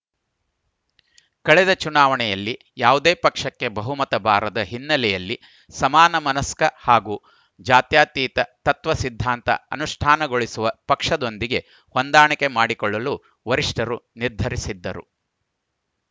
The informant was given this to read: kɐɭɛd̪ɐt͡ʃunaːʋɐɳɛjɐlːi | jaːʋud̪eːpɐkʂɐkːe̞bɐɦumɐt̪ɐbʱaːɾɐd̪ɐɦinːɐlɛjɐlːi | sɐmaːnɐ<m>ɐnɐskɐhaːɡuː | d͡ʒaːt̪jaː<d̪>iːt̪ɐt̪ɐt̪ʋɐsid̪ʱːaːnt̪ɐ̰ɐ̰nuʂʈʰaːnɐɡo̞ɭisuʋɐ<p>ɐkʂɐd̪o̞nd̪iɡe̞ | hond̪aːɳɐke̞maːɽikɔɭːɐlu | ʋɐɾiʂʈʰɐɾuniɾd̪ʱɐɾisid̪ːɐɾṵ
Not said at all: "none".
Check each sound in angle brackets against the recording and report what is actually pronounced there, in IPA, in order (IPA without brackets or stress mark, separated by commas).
m, t̪, p